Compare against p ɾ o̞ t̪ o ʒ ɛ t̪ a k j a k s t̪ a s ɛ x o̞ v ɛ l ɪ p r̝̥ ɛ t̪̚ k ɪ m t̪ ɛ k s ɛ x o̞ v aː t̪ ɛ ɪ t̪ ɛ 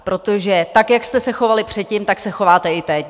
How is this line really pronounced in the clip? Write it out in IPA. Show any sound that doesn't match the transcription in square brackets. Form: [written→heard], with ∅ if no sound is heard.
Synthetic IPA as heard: p ɾ o̞ t̪ o ʒ ɛ t̪ a k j a k s t̪ [a→ɛ] s ɛ x o̞ v [ɛ→a] l ɪ p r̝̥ ɛ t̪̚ [k→c] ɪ m t̪ [ɛ→a] k s ɛ x o̞ v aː t̪ ɛ ɪ t̪ ɛ